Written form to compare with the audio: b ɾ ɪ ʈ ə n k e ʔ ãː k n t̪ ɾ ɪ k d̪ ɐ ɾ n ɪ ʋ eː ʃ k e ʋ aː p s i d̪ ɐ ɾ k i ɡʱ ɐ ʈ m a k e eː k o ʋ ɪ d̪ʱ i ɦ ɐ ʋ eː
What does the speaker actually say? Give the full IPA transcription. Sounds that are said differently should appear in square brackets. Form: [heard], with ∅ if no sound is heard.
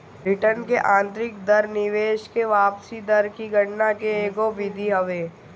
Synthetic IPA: b ɾ ɪ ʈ ə n k e ʔ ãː [∅] n t̪ ɾ ɪ k d̪ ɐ ɾ n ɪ ʋ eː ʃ k e ʋ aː p s i d̪ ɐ ɾ k i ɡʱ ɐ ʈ [n] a k e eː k o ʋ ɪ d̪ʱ i ɦ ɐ ʋ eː

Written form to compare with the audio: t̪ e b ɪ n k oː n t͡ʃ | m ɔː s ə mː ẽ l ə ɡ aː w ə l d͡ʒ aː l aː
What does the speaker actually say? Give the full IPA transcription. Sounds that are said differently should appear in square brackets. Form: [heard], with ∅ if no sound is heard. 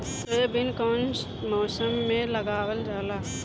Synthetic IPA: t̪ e b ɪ n k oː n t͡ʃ | m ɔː s ə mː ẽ l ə ɡ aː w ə l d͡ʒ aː l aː

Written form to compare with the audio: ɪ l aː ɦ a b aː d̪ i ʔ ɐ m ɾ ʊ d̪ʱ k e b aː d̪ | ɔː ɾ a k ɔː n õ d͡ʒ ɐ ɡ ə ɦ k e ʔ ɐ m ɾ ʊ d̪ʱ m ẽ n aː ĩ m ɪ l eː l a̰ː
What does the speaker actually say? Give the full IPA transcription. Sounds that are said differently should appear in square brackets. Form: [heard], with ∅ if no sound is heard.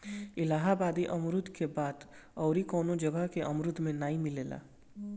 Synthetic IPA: ɪ l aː ɦ a b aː d̪ i ʔ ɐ m ɾ ʊ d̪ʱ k e b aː d̪ | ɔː ɾ [i] k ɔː n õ d͡ʒ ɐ ɡ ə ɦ k e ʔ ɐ m ɾ ʊ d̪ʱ m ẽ n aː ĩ m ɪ l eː l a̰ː

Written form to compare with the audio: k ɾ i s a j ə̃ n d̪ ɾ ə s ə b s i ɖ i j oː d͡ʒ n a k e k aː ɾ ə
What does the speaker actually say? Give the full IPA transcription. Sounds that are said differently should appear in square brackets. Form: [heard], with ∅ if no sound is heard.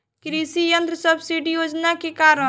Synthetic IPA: k ɾ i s [i] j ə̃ n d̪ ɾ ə s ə b s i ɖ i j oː d͡ʒ n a k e k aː ɾ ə

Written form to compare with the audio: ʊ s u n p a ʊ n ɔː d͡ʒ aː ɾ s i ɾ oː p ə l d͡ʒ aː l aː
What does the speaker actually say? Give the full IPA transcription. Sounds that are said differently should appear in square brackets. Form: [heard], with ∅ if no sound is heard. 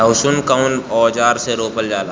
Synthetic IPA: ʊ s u n [k] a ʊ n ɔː d͡ʒ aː ɾ s [e] ɾ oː p ə l d͡ʒ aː l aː

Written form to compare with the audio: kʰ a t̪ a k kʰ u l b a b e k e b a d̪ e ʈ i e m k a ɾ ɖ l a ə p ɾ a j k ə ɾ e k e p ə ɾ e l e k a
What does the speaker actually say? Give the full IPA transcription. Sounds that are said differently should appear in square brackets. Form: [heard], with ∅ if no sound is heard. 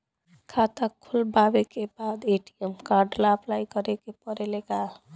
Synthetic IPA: kʰ a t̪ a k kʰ u l b a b e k e b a d̪ e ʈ i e m k a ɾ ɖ l a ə p [l] a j k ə ɾ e k e p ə ɾ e l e k a

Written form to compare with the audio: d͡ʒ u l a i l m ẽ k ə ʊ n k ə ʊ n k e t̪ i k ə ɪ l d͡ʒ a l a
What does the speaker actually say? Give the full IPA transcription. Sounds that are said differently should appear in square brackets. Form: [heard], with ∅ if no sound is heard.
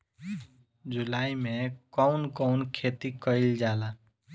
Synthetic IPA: d͡ʒ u l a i [∅] m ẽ k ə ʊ n k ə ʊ n [kʰ] e t̪ i k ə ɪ l d͡ʒ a l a

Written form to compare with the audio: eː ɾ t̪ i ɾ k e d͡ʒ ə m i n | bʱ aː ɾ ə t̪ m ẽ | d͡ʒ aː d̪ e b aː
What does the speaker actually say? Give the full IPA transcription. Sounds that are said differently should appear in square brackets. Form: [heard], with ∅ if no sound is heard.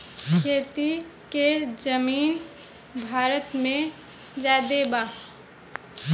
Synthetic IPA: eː [∅] t̪ i [∅] k e d͡ʒ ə m [iː] n | bʱ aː ɾ ə t̪ m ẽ | d͡ʒ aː d̪ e b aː

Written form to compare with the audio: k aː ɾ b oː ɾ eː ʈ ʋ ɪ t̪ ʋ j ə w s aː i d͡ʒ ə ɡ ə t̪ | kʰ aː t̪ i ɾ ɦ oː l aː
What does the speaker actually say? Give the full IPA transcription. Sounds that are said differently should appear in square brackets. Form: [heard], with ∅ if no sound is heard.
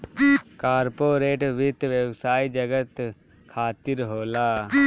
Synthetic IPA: k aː ɾ [p] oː ɾ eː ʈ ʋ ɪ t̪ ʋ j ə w s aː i d͡ʒ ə ɡ ə t̪ | kʰ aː t̪ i ɾ ɦ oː l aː

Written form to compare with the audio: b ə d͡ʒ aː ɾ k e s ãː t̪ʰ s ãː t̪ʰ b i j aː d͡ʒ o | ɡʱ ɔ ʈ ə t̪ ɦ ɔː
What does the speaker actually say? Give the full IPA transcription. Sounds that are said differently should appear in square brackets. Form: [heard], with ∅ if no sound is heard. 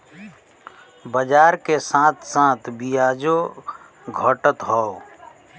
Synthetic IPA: b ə d͡ʒ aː ɾ k e s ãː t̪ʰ s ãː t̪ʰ b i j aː d͡ʒ o | ɡʱ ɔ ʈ ə t̪ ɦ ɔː

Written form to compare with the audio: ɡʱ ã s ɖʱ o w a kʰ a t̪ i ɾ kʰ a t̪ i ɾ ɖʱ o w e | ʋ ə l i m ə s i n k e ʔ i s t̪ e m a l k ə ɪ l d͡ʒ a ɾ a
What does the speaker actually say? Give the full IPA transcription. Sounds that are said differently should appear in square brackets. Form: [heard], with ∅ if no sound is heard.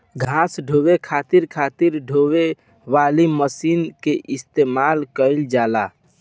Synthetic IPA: ɡʱ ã s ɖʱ o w [e] kʰ a t̪ i ɾ kʰ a t̪ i ɾ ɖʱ o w e | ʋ [a] l i m ə s i n k e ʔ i s t̪ e m a l k ə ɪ l d͡ʒ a [l] a

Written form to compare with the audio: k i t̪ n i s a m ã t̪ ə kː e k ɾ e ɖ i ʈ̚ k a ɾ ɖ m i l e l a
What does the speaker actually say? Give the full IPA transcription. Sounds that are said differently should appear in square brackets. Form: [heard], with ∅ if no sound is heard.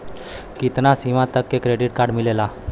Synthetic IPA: k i t̪ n [a] s [i] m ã t̪ ə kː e k ɾ e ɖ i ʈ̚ k a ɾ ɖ m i l e l a

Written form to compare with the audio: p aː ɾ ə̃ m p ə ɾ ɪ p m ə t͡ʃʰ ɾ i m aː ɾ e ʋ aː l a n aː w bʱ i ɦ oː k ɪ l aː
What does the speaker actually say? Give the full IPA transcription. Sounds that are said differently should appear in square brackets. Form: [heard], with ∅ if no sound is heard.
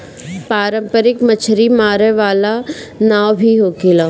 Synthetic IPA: p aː ɾ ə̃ m p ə ɾ ɪ [k] m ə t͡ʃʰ ɾ i m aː ɾ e ʋ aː l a n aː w bʱ i ɦ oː k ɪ l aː

